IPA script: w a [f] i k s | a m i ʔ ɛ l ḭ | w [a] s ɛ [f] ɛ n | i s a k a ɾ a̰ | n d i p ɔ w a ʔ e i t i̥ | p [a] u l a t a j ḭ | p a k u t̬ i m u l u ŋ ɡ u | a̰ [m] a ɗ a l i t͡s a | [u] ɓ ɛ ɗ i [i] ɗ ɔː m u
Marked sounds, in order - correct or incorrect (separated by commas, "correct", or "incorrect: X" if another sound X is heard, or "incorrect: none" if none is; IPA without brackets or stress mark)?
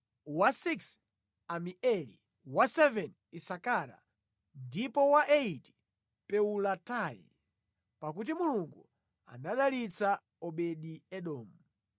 incorrect: s, correct, incorrect: v, incorrect: ɛ, incorrect: n, incorrect: ɔ, incorrect: ɛ